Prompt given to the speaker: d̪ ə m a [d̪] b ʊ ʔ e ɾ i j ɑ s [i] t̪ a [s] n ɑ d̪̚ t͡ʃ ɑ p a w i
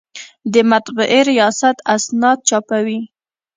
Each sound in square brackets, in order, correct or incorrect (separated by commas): incorrect, incorrect, correct